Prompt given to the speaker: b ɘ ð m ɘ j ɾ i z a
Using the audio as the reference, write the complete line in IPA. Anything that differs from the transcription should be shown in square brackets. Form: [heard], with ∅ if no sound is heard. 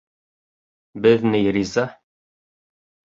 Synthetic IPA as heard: b ɘ ð [n] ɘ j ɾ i z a